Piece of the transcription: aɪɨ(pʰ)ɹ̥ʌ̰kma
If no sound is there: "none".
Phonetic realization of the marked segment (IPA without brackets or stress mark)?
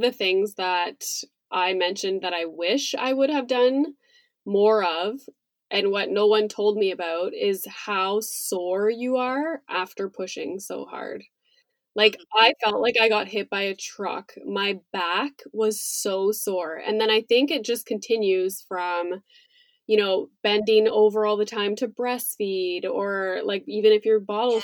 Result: tʰ